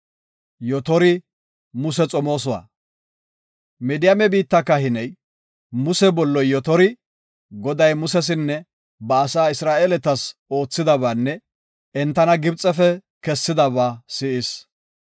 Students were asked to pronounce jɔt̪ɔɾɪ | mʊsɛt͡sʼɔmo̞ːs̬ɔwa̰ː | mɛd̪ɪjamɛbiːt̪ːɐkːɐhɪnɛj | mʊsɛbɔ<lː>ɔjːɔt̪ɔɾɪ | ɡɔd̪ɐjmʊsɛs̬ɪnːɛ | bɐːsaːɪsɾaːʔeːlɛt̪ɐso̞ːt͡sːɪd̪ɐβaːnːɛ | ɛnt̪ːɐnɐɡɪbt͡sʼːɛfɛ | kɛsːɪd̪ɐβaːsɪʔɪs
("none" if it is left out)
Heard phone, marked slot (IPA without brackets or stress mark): lː